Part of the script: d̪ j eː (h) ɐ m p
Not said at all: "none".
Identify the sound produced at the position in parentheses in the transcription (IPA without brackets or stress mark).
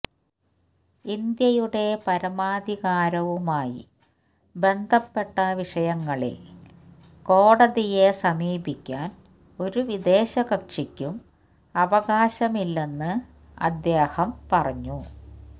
h